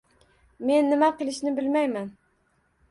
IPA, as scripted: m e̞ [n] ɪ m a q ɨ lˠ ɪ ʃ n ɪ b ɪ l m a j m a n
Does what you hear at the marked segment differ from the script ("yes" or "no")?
yes